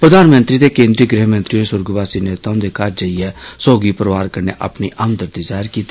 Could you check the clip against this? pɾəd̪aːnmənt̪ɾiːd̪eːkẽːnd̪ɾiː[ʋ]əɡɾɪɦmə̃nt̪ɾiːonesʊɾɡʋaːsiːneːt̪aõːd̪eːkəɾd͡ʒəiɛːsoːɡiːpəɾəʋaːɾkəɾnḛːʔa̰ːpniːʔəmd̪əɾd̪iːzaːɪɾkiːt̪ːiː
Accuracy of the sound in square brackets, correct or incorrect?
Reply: incorrect